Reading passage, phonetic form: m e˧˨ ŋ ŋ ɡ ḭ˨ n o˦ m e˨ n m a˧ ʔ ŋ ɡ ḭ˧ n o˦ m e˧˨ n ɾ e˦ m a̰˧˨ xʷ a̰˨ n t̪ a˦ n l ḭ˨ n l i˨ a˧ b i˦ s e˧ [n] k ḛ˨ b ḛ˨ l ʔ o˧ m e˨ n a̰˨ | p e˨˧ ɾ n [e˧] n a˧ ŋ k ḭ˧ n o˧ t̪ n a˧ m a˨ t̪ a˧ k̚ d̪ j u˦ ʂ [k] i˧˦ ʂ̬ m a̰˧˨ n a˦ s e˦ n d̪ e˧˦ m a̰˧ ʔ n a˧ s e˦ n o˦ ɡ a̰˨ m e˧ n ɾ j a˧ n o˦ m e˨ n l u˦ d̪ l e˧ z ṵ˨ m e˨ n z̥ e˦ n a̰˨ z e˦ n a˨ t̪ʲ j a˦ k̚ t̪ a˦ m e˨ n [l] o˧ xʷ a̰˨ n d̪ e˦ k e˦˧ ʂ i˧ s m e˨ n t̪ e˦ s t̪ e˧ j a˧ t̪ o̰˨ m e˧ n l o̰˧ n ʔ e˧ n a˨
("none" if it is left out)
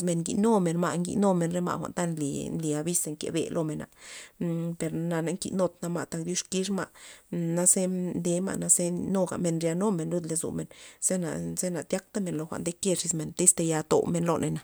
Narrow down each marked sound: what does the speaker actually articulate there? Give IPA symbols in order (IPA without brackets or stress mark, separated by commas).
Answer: ŋ, a˧, k, l